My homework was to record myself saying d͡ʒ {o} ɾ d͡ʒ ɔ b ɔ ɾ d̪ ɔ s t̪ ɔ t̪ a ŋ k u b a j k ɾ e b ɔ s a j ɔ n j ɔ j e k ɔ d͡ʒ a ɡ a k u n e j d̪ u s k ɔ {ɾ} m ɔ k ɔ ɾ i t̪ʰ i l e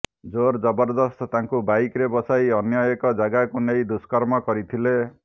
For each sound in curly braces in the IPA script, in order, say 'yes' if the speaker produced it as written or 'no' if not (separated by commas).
yes, yes